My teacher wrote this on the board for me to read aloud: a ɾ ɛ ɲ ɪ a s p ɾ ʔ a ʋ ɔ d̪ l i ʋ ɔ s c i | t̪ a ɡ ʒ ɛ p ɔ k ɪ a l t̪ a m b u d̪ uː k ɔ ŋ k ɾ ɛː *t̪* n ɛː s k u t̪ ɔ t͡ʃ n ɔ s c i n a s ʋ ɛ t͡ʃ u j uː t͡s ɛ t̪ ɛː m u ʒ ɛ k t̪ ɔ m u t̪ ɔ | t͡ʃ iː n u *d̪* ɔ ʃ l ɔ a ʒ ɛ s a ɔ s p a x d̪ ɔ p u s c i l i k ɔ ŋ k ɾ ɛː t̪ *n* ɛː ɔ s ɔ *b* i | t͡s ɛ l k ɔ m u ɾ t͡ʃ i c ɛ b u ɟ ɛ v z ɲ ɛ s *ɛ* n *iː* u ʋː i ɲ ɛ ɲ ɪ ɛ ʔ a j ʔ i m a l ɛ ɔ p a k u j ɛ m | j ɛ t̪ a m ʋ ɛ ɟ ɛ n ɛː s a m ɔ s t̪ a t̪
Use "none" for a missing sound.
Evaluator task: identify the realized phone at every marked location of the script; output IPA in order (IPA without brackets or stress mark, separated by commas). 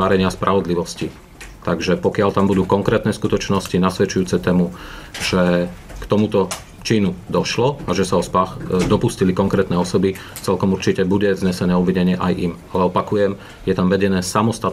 t̪, d̪, n, b, ɛ, ɛː